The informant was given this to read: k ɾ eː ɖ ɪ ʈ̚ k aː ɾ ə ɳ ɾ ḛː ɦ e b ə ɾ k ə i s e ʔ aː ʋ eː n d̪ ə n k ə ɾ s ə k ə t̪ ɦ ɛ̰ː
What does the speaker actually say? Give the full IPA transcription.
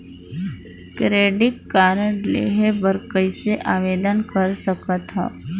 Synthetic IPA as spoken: k ɾ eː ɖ ɪ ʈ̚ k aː ɾ ə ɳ l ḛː ɦ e b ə ɾ k ə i s e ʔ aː ʋ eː d̪ ə n k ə ɾ s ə k ə t̪ ɦ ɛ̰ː